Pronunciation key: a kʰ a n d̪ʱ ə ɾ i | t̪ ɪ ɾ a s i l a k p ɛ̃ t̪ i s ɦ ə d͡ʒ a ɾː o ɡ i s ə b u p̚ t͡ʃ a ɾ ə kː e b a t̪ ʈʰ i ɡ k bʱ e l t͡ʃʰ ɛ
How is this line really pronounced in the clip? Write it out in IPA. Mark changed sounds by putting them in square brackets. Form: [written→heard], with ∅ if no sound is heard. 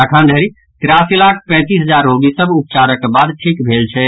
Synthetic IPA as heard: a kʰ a n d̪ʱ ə ɾ i | t̪ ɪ ɾ a s i l a [k→kʰ] p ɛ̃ t̪ i s ɦ ə d͡ʒ a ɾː o ɡ i s ə b u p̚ t͡ʃ a ɾ ə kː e b a [t̪→d̪] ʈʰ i [ɡ→∅] k bʱ e l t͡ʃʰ ɛ